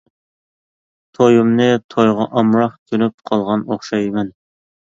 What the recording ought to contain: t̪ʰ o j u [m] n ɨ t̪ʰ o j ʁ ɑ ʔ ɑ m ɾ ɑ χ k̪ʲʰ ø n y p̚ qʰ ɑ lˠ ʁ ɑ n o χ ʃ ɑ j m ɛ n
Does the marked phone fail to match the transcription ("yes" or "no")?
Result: no